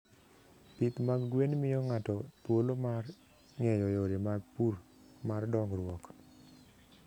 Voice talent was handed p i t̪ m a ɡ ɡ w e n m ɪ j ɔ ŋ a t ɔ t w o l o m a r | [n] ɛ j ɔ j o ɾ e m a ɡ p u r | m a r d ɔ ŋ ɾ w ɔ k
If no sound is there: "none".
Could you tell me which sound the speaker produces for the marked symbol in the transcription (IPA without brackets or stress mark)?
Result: ŋ